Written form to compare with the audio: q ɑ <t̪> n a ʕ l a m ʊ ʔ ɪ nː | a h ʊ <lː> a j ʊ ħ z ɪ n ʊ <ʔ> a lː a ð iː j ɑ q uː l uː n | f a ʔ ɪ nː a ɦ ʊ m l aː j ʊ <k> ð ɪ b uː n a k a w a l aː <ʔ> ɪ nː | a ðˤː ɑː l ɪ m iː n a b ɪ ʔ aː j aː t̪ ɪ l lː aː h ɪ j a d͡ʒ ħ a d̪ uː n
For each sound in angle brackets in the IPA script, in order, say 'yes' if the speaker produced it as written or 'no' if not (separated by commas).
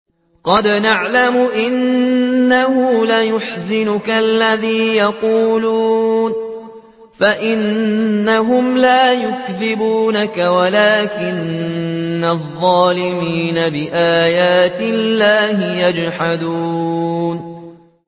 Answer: no, no, no, yes, no